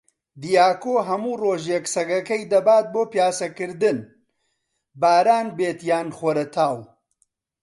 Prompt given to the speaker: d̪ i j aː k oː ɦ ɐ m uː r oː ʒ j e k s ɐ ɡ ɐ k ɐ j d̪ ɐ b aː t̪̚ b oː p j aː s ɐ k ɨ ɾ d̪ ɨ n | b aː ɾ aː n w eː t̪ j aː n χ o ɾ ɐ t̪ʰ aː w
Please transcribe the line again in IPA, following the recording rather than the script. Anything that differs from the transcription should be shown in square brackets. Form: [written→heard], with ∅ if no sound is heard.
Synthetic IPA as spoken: d̪ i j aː k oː ɦ ɐ m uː r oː ʒ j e k s ɐ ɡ ɐ k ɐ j d̪ ɐ b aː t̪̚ b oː p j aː s ɐ k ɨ ɾ d̪ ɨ n | b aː ɾ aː n [w→b] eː t̪ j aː n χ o ɾ ɐ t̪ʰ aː w